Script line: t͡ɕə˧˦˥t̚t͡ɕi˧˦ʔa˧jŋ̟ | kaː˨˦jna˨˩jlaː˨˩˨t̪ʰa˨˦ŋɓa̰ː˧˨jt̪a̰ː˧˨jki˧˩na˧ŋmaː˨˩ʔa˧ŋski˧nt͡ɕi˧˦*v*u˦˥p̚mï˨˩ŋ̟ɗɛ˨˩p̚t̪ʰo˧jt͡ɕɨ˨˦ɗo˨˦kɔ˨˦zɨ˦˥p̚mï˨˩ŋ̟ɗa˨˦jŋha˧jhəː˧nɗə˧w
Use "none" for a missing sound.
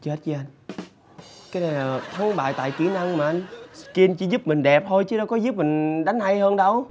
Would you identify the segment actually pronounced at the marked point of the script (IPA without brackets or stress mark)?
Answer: z